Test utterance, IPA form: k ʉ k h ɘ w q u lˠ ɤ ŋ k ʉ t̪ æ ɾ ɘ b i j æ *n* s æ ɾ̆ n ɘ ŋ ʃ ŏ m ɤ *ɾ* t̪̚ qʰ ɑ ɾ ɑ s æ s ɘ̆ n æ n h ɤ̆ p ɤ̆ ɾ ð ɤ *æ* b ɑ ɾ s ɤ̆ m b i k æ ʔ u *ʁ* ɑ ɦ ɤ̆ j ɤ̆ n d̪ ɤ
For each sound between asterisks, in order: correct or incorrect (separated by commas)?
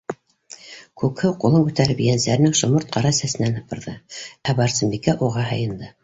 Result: correct, correct, correct, correct